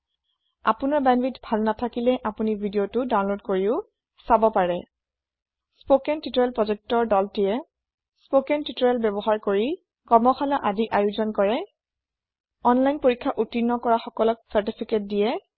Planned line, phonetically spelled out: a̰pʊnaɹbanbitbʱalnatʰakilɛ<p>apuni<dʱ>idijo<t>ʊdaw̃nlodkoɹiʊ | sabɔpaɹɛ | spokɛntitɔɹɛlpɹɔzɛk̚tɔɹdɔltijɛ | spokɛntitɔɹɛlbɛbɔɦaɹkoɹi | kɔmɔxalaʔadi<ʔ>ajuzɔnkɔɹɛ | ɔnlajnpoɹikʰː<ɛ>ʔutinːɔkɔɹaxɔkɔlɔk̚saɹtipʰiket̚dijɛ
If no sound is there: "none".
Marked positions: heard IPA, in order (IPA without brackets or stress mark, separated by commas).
ʔ, bʱ, t, ʔ, a